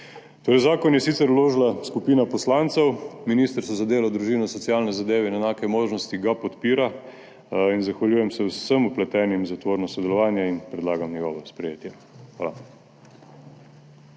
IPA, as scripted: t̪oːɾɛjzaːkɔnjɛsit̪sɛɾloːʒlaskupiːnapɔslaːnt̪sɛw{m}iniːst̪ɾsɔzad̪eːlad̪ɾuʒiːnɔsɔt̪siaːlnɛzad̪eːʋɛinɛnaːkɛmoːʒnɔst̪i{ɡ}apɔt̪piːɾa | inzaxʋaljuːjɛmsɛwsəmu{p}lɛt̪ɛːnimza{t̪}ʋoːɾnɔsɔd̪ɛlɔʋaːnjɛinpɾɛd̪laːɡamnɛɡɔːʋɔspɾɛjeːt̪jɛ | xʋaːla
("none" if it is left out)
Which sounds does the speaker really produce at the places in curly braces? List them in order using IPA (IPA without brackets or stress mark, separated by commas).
m, ɡ, p, t̪